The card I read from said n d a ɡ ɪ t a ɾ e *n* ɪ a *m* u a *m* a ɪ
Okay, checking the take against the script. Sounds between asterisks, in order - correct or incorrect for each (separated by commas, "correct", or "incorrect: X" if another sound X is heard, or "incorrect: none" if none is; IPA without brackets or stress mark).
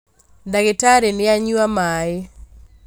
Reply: correct, incorrect: ɲ, correct